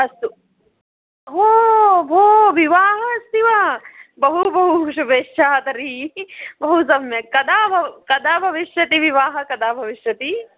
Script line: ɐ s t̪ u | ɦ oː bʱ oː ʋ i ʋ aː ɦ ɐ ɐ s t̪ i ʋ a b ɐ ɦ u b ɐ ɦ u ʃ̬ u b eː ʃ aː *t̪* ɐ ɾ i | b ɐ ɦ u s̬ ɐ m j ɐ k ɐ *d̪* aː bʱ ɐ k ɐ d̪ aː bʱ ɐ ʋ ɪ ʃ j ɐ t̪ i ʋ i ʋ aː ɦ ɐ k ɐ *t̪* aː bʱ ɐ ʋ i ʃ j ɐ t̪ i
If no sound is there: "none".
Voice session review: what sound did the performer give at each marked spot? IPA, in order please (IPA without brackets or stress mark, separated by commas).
t̪, d̪, d̪